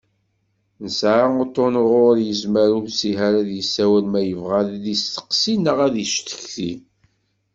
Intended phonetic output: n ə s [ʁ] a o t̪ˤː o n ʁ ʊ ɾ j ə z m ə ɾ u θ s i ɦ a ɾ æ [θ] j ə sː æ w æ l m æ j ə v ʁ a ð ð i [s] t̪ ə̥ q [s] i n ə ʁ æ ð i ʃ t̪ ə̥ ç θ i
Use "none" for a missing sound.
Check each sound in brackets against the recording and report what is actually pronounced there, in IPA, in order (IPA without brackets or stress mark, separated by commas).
ʕ, ð, s, s